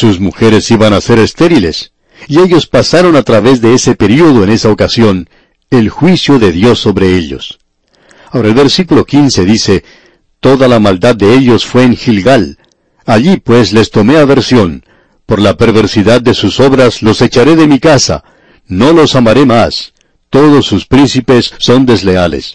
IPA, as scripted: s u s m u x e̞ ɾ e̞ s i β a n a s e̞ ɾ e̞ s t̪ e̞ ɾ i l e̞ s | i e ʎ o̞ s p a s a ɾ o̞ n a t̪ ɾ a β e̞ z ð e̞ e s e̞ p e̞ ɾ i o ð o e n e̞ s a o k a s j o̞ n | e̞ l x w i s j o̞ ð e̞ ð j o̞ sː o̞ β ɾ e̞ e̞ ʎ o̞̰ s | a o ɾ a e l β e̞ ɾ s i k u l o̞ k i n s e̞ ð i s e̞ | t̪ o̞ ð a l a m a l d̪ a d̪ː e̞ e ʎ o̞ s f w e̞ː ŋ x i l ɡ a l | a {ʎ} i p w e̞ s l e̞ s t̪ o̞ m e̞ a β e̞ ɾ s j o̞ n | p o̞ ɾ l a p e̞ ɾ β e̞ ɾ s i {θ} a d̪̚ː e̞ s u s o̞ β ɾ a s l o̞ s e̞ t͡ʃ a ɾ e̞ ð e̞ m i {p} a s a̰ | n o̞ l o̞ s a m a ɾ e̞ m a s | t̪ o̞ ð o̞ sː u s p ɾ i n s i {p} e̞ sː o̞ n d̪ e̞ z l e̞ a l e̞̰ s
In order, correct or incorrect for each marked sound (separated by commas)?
correct, incorrect, incorrect, correct